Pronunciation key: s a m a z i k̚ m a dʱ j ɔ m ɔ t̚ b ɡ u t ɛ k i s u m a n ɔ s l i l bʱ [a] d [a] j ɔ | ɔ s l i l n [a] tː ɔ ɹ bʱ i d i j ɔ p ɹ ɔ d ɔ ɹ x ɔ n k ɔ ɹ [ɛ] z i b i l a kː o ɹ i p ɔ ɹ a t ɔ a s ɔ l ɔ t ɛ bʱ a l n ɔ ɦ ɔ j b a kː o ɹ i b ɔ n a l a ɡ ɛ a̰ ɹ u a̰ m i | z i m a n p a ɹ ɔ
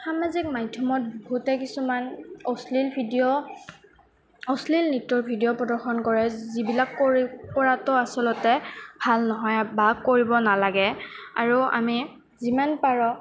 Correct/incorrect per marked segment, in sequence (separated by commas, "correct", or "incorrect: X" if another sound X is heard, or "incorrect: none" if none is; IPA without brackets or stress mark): incorrect: i, incorrect: i, incorrect: i, correct